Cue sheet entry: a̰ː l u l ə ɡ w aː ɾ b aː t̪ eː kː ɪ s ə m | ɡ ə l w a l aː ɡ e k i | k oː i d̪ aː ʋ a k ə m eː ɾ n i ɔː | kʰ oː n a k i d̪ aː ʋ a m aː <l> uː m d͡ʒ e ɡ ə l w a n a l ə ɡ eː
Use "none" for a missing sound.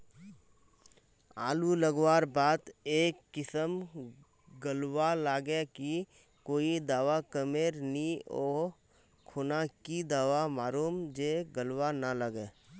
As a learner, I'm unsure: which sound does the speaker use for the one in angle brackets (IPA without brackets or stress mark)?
ɾ